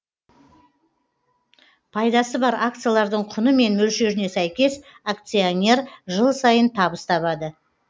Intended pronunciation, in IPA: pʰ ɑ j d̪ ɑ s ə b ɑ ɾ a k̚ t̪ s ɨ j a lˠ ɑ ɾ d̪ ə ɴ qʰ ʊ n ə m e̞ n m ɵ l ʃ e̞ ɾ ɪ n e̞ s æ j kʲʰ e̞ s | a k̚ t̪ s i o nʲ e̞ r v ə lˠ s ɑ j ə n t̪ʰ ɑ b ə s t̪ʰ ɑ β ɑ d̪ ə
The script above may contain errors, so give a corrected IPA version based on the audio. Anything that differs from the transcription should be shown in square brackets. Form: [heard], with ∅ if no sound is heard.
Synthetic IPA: pʰ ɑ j d̪ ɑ s ə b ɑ ɾ a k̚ t̪ s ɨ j a lˠ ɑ ɾ d̪ ə ɴ qʰ ʊ n ə m e̞ n m ɵ l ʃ e̞ ɾ ɪ n e̞ s æ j [kʲ] e̞ s | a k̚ t̪ s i o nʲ e̞ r [ʒ] ə lˠ s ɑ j ə n t̪ʰ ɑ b ə s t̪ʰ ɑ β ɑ d̪ ə